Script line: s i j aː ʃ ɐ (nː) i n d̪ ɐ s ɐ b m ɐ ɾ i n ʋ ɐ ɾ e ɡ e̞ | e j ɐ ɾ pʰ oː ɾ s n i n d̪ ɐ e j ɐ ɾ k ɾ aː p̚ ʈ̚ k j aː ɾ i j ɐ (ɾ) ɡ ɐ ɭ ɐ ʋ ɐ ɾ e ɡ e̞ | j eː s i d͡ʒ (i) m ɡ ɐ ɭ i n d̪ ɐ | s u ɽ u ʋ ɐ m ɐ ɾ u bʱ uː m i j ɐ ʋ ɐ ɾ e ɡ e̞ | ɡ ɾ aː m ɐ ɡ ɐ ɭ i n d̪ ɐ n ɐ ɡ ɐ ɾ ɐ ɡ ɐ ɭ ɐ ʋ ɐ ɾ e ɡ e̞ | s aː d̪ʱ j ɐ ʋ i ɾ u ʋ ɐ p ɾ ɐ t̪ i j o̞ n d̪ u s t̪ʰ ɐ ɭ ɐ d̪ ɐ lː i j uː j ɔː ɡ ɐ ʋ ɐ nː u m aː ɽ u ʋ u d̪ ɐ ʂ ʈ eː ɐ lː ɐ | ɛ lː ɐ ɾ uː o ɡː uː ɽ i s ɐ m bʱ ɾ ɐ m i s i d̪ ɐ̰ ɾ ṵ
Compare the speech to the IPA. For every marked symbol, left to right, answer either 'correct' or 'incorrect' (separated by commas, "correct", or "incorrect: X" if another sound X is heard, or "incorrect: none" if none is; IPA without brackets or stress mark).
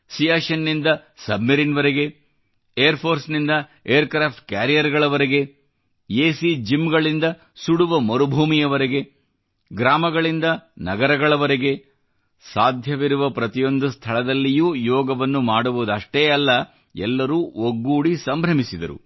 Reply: correct, correct, correct